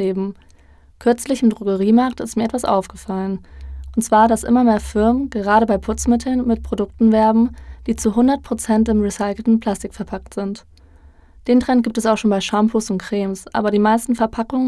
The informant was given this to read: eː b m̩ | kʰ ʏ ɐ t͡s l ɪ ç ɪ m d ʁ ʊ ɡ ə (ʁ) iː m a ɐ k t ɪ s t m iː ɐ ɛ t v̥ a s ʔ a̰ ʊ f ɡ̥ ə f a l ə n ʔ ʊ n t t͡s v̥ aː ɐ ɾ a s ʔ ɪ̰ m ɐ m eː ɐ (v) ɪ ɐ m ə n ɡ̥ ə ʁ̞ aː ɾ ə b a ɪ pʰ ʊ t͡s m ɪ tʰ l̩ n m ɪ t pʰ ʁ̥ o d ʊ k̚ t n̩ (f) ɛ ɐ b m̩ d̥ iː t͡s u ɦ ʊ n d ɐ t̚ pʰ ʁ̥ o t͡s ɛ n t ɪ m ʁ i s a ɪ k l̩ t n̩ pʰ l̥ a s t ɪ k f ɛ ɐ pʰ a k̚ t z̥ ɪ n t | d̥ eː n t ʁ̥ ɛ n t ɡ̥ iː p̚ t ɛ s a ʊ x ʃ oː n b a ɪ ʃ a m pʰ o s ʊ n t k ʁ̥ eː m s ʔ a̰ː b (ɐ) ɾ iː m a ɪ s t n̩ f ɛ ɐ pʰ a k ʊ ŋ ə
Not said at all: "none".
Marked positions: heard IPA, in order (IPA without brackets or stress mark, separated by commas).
ʁ, f, v, ɐ